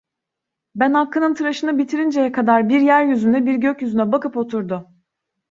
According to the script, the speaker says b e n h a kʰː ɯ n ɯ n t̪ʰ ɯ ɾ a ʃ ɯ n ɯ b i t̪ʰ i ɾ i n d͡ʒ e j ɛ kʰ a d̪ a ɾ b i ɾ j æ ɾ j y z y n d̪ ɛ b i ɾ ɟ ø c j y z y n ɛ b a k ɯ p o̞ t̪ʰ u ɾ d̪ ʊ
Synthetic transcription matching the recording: b æ n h a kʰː ɯ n ɯ n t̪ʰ ɯ ɾ a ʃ ɯ n ɯ b i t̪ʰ i ɾ i n d͡ʒ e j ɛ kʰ a d̪ a ɾ b i ɾ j æ ɾ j y z y n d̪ ɛ b i ɾ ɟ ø c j y z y n ɛ b a k ɯ p o̞ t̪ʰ u ɾ d̪ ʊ